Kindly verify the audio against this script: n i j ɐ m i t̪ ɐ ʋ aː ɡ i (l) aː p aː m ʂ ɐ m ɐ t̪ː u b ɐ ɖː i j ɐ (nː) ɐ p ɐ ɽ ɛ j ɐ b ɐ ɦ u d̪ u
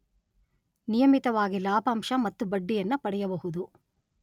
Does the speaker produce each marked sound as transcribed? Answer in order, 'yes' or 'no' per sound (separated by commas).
yes, yes